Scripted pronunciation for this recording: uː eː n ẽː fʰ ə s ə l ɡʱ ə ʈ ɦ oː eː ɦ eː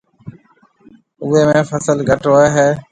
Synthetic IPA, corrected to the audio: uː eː m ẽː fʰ ə s ə l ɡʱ ə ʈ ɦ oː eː ɦ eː